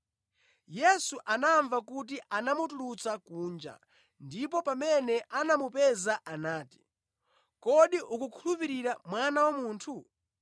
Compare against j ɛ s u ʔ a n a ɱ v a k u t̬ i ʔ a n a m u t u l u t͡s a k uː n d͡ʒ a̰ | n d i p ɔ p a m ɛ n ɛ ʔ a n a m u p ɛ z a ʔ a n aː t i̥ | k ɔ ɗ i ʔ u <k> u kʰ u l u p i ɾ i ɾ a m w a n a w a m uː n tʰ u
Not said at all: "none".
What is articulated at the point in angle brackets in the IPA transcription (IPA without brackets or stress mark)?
k